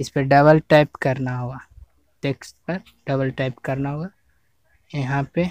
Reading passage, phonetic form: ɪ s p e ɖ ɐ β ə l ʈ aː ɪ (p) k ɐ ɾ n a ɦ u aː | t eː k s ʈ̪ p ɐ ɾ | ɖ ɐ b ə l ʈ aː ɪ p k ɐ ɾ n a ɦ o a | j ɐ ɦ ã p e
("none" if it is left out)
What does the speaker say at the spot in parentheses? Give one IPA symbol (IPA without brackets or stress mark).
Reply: p